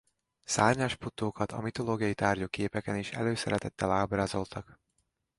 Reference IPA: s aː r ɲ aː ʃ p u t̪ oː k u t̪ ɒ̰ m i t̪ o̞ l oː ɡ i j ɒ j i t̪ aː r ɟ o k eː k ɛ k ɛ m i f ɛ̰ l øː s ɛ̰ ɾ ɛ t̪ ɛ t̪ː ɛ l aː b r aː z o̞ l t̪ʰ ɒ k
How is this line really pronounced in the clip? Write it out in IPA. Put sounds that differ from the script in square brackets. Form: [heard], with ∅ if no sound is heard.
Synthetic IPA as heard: s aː r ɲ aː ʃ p u t̪ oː k [ɒ] t̪ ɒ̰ m i t̪ o̞ l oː ɡ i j ɒ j i t̪ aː r ɟ o k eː [p] ɛ k ɛ [n] i [ʃ] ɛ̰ l øː s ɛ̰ ɾ ɛ t̪ ɛ t̪ː ɛ l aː b r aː z o̞ l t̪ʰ ɒ k

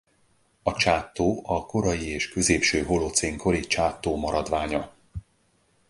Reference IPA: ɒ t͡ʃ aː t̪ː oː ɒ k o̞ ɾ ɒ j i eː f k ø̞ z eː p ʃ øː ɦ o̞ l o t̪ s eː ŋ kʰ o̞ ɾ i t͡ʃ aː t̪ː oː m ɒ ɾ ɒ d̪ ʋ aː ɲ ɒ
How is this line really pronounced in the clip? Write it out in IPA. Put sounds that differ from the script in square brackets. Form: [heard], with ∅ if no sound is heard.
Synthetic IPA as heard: ɒ t͡ʃ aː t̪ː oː ɒ k o̞ ɾ ɒ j i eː [ʃ] k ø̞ z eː p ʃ øː ɦ o̞ l o t̪ s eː ŋ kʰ o̞ ɾ i t͡ʃ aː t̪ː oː m ɒ ɾ ɒ d̪ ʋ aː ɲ ɒ

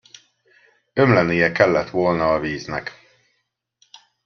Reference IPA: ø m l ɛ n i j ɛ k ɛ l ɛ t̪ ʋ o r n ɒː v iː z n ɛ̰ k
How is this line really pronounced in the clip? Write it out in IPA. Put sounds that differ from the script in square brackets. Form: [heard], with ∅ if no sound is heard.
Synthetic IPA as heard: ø m l ɛ n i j ɛ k ɛ [lː] ɛ t̪ ʋ o [l] n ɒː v iː z n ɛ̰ k

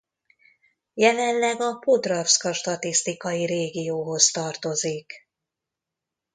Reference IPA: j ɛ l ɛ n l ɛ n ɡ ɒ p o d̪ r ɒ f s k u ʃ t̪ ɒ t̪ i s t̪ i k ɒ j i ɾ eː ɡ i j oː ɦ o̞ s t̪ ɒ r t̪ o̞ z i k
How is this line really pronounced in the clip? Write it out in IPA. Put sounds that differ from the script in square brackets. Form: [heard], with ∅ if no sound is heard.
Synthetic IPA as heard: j ɛ l ɛ n l ɛ [∅] ɡ ɒ p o d̪ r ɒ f s k [ɒ] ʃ t̪ ɒ t̪ i s t̪ i k ɒ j i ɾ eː ɡ i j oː ɦ o̞ s t̪ ɒ r t̪ o̞ z i k

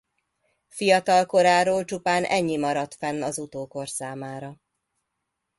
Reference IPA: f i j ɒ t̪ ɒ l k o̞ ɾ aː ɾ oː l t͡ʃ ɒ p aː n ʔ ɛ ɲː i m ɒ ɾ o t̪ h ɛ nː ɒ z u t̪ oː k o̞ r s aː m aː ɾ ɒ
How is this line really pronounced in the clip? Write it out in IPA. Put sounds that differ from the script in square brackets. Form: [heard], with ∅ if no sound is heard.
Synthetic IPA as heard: f i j ɒ t̪ ɒ l k o̞ ɾ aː ɾ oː l t͡ʃ [u] p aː n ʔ ɛ ɲː i m ɒ ɾ [ɒ] t̪ [f] ɛ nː ɒ z u t̪ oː k o̞ r s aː m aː ɾ ɒ

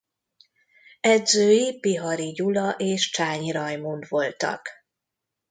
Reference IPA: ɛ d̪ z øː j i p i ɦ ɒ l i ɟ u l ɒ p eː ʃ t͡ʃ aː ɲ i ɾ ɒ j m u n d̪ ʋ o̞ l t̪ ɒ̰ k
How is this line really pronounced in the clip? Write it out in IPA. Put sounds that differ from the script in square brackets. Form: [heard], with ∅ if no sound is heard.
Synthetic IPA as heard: ɛ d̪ z øː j i p i ɦ ɒ [ɾ] i ɟ u l ɒ [ʔ] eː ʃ t͡ʃ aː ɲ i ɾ ɒ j m u n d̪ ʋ o̞ l t̪ ɒ̰ k

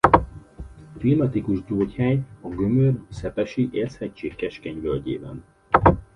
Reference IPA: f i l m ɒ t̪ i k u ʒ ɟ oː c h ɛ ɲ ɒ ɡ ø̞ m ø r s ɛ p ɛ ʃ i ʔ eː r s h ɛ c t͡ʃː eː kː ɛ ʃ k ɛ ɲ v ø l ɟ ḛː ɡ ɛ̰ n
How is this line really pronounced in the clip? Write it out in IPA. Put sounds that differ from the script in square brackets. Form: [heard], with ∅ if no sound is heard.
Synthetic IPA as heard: f i l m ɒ t̪ i k u ʒ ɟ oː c h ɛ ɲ ɒ ɡ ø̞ m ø r s ɛ p ɛ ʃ i ʔ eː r s h ɛ c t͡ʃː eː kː ɛ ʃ k ɛ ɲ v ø l ɟ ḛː [b] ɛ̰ n

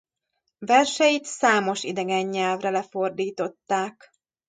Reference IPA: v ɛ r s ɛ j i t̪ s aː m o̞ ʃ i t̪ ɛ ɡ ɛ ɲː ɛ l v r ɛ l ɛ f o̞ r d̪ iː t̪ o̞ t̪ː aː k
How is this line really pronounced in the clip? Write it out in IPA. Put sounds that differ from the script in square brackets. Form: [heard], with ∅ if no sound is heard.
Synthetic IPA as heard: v ɛ r [ʃ] ɛ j i t̪ s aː m o̞ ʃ i [d̪] ɛ ɡ ɛ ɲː ɛ l v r ɛ l ɛ f o̞ r d̪ iː t̪ o̞ t̪ː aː k

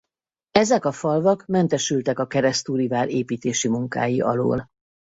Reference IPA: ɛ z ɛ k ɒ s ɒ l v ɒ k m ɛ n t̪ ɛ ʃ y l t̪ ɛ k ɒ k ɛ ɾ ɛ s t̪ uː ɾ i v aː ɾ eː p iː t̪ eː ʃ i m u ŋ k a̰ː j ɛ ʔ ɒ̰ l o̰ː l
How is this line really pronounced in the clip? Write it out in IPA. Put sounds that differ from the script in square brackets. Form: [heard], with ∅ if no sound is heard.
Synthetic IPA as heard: ɛ z ɛ k ɒ [f] ɒ l v ɒ k m ɛ n t̪ ɛ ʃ y l t̪ ɛ k ɒ k ɛ ɾ ɛ s t̪ uː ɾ i v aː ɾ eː p iː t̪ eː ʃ i m u ŋ k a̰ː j [i] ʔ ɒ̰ l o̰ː l

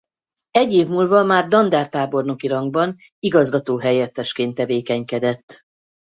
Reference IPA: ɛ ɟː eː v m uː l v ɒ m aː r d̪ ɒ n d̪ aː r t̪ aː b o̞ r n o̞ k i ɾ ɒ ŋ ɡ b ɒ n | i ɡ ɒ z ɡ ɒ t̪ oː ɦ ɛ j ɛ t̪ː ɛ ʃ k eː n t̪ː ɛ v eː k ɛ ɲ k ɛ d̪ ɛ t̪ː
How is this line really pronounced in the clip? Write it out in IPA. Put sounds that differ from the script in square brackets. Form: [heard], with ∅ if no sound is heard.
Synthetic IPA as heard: ɛ ɟː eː v m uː l v ɒ m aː r d̪ ɒ n d̪ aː r t̪ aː b o̞ r n o̞ k i ɾ ɒ ŋ ɡ b ɒ n | i ɡ ɒ z ɡ ɒ t̪ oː ɦ ɛ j ɛ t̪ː ɛ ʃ k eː n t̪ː ɛ v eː k ɛ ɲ k ɛ d̪ ɛ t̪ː

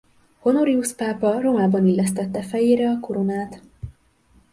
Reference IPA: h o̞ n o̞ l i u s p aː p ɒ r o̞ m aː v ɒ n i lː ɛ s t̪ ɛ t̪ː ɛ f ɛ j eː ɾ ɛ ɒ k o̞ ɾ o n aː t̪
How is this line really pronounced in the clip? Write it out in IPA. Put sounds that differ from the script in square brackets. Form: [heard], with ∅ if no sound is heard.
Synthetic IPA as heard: h o̞ n o̞ [ɾ] i u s p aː p ɒ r o̞ m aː [b] ɒ n i lː ɛ s t̪ ɛ t̪ː ɛ f ɛ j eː ɾ ɛ ɒ k o̞ ɾ o n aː t̪

